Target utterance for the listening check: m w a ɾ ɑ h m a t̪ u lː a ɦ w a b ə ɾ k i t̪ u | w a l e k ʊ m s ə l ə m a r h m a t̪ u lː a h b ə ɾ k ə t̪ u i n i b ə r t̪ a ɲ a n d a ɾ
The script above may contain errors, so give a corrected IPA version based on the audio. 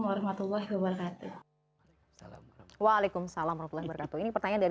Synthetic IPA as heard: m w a ɾ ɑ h m a t̪ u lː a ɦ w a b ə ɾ k a t̪ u | w a l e k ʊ m s a l a m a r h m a t̪ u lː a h b ə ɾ k a t̪ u i n i p ə r t̪ a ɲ a n d a ɾ